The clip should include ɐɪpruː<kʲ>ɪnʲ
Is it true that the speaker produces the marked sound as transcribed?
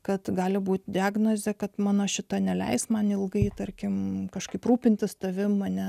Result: no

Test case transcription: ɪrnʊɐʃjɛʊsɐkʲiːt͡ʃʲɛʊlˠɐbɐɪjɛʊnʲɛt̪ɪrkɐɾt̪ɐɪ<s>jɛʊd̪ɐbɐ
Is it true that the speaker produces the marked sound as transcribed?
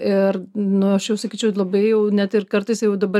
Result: yes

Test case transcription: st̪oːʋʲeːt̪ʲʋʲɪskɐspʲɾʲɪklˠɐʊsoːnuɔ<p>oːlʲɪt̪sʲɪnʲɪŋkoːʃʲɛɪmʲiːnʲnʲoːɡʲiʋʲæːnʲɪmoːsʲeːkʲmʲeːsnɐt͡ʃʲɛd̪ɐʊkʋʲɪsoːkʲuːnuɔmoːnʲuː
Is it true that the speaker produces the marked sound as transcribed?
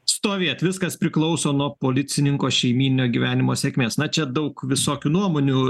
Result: yes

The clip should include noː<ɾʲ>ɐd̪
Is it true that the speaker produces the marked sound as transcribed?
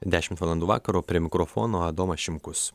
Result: no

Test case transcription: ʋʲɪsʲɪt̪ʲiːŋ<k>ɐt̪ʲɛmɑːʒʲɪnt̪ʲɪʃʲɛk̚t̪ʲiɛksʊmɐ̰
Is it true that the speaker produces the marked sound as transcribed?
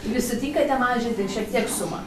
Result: yes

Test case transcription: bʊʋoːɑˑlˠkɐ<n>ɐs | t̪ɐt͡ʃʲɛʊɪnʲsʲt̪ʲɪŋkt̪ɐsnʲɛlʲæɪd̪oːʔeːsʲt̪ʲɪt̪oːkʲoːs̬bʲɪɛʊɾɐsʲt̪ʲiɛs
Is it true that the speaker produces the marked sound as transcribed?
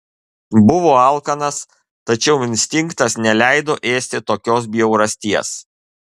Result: yes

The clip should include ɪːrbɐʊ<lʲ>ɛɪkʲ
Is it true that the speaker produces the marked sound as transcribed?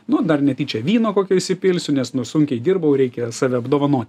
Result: no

